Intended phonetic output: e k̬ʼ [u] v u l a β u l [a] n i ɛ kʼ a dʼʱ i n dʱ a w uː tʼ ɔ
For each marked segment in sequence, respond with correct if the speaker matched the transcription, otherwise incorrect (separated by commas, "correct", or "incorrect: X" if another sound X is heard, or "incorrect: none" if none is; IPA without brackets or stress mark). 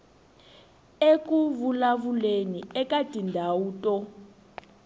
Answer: correct, incorrect: e